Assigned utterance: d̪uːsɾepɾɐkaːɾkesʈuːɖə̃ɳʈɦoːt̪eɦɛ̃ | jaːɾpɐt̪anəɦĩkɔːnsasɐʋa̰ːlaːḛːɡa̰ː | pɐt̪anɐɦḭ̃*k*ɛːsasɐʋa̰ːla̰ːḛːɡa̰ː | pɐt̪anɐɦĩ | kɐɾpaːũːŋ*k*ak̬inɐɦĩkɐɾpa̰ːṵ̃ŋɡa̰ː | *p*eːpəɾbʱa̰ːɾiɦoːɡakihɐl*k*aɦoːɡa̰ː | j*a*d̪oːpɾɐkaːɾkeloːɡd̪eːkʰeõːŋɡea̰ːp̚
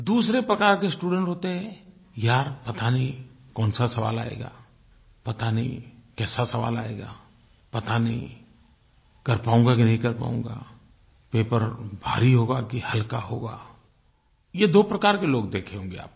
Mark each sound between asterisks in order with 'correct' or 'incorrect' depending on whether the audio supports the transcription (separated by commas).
correct, incorrect, correct, correct, incorrect